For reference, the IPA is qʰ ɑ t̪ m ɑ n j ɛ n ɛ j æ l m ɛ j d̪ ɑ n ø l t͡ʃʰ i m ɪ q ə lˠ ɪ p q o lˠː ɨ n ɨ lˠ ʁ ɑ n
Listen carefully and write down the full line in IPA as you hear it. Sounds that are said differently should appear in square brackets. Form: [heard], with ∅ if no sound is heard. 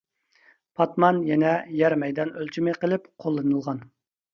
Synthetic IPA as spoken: [pʰ] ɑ t̪ m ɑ n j ɛ n ɛ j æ [ɾ] m ɛ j d̪ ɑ n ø l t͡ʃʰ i m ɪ q ə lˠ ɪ p [qʰ] o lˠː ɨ n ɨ lˠ ʁ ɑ n